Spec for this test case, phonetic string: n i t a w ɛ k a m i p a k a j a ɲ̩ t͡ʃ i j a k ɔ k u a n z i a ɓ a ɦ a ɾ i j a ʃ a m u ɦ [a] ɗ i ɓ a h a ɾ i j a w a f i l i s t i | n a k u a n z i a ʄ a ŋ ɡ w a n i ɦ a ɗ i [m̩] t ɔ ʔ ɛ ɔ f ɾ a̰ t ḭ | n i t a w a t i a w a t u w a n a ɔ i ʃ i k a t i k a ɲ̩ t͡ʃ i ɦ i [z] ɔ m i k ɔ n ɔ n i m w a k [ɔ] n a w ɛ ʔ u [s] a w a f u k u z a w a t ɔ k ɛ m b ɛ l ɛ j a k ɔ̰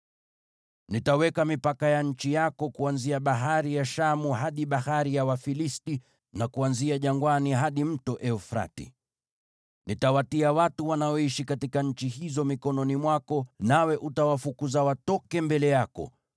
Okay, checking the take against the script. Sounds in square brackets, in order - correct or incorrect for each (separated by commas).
correct, correct, correct, correct, incorrect